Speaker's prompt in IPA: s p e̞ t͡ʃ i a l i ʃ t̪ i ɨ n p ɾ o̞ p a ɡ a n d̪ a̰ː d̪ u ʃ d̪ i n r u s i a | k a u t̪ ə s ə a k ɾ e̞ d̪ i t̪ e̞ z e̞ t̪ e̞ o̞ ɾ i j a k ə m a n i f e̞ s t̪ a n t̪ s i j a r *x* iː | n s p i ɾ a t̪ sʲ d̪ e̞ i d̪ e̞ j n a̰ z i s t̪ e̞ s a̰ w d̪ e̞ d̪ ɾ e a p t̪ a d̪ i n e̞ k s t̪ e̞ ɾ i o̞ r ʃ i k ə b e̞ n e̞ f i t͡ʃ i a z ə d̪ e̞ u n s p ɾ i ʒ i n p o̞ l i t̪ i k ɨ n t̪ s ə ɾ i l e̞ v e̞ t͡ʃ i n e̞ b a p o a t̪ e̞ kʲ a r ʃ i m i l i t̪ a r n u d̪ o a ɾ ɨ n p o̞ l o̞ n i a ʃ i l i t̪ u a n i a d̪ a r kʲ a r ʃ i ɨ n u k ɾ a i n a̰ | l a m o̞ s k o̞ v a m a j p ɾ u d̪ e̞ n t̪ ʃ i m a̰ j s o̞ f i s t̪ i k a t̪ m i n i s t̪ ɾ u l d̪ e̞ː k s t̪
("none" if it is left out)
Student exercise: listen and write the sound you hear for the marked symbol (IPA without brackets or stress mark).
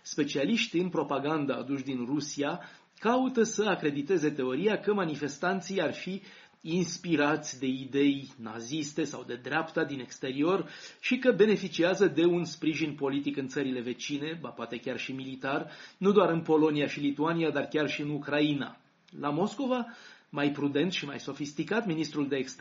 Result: f